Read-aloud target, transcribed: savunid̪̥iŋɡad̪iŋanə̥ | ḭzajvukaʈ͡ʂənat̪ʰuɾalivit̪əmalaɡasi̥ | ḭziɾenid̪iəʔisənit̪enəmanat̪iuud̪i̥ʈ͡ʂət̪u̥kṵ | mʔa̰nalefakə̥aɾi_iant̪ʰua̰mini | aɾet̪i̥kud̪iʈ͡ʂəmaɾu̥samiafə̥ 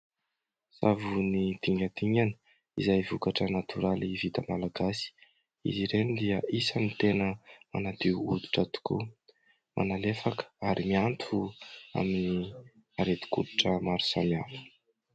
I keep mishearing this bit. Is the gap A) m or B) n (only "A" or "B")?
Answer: A